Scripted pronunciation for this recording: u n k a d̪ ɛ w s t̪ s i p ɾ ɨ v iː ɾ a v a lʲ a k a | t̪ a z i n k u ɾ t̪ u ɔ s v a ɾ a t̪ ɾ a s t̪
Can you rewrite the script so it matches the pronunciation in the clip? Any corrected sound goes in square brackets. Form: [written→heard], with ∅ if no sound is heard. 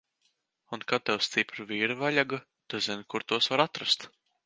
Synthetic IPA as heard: u n k a [d̪→t̪] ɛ w s t̪ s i p ɾ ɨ v iː ɾ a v a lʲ a [k→ɡ] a | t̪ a z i n k u ɾ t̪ u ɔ s v a ɾ a t̪ ɾ a s t̪